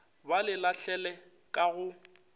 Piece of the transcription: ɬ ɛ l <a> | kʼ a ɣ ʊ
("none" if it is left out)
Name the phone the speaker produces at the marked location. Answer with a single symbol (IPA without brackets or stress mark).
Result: ɛ